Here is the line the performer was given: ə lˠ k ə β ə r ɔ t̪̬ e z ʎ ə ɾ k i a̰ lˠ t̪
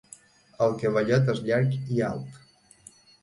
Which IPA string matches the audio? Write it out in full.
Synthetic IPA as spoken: ə lˠ k ə β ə ʎ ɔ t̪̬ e z ʎ a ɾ k i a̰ lˠ t̪